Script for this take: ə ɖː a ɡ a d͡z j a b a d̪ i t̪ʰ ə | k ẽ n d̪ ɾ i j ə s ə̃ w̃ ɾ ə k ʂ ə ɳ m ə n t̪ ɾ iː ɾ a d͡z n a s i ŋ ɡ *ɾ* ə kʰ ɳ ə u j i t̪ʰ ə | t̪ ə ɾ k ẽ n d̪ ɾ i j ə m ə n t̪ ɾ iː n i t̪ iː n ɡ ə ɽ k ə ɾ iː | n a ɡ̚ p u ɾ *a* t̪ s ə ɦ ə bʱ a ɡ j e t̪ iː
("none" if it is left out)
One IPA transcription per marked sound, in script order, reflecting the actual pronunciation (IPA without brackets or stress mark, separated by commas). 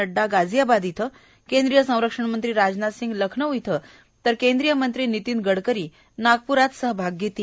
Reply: l, a